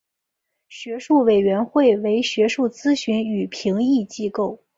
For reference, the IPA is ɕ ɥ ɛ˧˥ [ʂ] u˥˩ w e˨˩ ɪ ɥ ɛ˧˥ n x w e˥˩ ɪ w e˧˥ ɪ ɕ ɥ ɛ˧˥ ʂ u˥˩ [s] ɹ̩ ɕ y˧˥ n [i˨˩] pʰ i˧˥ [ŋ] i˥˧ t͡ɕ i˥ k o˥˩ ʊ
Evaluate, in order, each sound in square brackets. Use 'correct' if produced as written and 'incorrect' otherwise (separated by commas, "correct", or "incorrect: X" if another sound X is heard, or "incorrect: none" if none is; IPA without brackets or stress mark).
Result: correct, incorrect: t͡s, incorrect: y˨˩, correct